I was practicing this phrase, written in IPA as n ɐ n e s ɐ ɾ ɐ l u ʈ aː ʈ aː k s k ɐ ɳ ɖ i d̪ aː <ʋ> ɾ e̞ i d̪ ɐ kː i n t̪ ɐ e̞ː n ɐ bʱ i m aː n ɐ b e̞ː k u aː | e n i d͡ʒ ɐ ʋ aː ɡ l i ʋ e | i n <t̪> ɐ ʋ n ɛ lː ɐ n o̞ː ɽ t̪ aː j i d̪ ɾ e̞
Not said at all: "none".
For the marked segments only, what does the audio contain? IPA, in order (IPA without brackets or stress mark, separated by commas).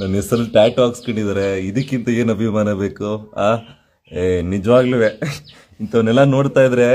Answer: none, t̪